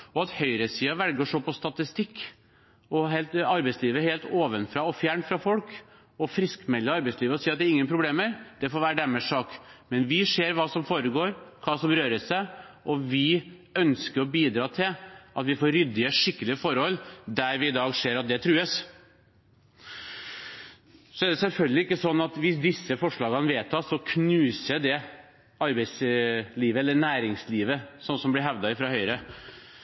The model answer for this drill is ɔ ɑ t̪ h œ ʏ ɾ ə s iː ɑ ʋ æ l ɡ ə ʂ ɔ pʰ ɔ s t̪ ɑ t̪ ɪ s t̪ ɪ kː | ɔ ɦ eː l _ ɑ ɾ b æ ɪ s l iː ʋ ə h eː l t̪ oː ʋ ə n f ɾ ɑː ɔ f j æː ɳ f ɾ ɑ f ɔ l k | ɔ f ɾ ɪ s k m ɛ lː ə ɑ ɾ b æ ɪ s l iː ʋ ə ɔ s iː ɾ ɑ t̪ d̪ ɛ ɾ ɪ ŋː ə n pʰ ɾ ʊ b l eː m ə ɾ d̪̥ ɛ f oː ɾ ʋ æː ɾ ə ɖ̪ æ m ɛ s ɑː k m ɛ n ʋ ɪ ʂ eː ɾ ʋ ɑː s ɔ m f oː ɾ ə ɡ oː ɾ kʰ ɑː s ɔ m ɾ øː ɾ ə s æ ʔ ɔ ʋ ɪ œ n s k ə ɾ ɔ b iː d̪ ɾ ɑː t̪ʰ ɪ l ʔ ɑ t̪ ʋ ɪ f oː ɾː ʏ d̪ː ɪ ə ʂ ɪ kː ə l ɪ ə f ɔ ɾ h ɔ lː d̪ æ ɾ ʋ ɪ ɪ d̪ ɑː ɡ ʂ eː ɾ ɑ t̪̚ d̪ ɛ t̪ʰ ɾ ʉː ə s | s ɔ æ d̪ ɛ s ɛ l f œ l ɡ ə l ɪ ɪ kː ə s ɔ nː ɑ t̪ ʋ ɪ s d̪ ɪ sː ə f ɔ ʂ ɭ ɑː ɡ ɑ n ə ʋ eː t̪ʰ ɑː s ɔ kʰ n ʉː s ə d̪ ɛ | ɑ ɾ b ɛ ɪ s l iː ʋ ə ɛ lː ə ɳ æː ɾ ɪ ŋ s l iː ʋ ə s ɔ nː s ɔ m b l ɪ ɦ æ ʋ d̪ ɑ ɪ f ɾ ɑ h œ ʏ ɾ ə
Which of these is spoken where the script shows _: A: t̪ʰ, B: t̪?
B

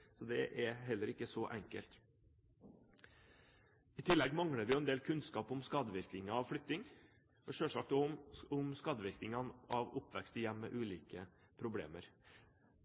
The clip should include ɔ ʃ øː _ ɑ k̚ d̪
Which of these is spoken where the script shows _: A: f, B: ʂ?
B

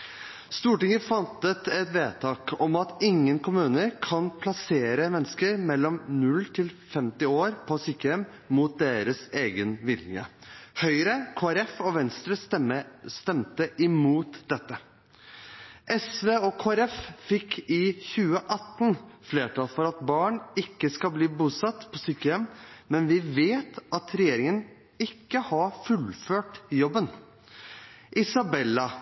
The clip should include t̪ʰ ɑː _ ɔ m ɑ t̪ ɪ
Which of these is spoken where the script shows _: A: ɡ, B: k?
B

